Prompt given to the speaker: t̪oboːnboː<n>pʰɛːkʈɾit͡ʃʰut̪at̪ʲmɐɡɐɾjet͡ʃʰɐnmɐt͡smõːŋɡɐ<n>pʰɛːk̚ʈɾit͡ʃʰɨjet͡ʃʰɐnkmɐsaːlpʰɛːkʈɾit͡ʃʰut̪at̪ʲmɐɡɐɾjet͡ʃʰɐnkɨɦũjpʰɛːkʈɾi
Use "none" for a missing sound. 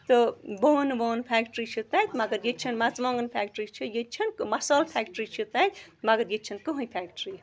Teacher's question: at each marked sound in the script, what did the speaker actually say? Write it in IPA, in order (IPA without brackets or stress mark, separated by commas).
n, n